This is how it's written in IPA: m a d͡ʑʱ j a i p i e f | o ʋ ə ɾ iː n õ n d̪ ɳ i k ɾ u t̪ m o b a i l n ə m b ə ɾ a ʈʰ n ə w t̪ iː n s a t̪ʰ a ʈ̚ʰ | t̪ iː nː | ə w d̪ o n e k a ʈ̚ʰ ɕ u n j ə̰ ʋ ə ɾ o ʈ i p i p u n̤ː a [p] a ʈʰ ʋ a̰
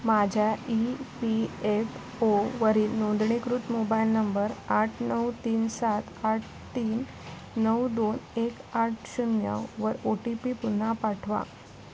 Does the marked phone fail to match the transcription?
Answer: no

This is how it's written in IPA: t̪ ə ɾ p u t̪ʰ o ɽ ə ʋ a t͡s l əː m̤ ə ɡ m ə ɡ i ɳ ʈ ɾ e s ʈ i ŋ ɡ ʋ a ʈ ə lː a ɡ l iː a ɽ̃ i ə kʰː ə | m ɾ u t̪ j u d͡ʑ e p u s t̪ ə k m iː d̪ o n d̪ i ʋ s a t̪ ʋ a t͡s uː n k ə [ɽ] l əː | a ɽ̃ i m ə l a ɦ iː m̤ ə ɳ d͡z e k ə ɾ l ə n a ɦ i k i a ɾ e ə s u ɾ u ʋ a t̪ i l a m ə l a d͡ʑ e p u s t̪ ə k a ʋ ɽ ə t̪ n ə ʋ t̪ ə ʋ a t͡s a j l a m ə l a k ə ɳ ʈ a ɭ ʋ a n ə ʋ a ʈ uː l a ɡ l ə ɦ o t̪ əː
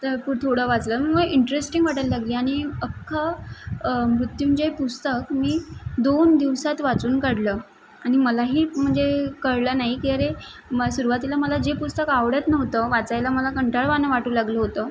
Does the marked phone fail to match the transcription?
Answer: no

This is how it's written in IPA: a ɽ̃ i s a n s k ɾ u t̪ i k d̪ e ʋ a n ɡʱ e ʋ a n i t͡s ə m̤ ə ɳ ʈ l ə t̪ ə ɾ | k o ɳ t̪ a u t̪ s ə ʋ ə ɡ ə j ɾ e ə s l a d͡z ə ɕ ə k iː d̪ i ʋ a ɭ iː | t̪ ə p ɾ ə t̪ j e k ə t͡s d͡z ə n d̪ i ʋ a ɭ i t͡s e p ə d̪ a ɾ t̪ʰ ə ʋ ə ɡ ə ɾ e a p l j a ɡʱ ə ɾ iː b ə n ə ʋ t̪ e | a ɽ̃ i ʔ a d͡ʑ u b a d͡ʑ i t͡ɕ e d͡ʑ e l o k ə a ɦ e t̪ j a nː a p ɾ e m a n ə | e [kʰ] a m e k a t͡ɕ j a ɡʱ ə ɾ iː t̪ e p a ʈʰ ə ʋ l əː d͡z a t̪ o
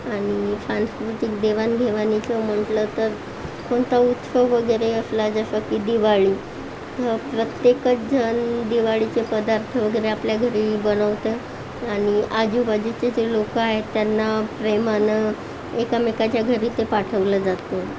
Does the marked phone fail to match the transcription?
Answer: yes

